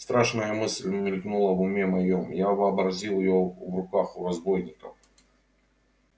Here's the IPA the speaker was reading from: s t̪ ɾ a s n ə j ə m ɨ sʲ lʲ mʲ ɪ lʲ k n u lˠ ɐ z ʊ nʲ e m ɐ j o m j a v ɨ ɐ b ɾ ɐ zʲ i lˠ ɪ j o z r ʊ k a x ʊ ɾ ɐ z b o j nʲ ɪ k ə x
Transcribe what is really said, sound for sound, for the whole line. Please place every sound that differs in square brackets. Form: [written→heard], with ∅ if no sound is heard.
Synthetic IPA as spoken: s t̪ ɾ a [s→ʂ] n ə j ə m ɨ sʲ lʲ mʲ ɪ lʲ k n u lˠ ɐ [z→v] ʊ [nʲ→mʲ] e m ɐ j o m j a v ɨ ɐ b ɾ ɐ zʲ i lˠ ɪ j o [z→v] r ʊ k a x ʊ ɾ ɐ z b o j nʲ ɪ k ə [x→f]